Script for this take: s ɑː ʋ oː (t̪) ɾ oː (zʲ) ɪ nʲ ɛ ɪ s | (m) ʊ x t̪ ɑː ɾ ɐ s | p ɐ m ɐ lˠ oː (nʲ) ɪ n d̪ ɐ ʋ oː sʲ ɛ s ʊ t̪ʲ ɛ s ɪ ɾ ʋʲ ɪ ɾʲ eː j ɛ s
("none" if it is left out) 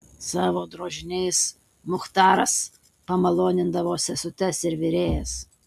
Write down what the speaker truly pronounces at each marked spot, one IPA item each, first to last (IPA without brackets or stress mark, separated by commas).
d̪, ʒʲ, m, nʲ